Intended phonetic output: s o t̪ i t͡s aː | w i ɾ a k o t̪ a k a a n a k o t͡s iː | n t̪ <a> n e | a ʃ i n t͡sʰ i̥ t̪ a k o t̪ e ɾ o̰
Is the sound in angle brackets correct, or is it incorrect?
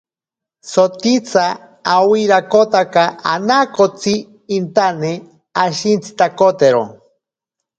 correct